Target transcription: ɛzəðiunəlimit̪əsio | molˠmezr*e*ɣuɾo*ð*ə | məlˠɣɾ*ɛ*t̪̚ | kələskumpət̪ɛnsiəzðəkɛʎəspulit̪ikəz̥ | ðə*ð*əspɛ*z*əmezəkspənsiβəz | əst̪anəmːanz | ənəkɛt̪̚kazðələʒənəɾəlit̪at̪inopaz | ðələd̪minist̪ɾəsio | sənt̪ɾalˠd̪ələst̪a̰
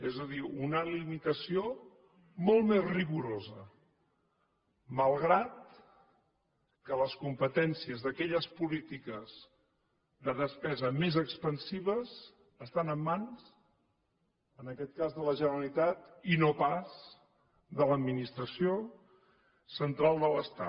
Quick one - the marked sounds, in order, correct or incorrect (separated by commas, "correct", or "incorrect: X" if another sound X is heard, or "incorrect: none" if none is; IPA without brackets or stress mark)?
incorrect: i, incorrect: z, incorrect: a, correct, correct